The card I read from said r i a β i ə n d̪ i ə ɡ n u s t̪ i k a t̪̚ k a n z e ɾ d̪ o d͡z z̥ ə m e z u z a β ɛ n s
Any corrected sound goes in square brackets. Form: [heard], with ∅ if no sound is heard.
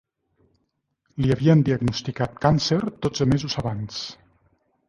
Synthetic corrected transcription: [l] i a β i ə n d̪ i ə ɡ n u s t̪ i k a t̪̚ k a n [s] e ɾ d̪ o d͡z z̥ ə m e z u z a β [a] n s